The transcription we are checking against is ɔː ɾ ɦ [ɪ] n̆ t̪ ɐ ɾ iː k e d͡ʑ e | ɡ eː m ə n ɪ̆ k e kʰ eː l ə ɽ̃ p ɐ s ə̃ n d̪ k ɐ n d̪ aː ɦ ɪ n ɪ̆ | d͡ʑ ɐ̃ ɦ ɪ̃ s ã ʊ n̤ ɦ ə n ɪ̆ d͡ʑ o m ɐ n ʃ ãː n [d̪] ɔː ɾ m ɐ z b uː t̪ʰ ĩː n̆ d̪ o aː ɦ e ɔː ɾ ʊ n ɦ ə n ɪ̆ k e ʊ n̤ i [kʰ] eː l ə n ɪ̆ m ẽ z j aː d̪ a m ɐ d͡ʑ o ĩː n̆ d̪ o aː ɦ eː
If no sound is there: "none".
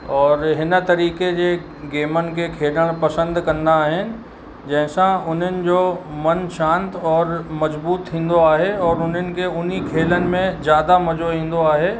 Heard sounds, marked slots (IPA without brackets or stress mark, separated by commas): ɪ, t̪, kʰ